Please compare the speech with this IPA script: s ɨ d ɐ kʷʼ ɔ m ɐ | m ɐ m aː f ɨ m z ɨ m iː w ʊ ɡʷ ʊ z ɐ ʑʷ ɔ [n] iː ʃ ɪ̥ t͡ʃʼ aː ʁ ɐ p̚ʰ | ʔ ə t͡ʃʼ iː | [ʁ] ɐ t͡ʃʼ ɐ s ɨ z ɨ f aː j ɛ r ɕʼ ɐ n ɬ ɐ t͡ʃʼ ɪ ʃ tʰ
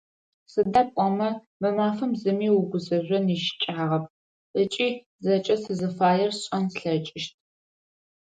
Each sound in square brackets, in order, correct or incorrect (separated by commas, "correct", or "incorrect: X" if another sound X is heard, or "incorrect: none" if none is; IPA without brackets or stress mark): correct, incorrect: z